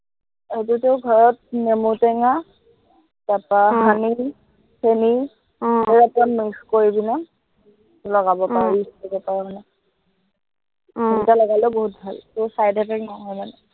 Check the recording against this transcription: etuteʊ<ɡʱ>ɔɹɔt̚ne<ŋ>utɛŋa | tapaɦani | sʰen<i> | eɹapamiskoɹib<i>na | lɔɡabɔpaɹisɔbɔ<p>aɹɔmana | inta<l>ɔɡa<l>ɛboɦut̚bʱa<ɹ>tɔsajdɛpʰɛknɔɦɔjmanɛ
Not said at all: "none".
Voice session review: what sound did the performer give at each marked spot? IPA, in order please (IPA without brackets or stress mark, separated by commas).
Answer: ɡʱ, m, i, i, p, l, l, l